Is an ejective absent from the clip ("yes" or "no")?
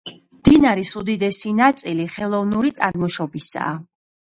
no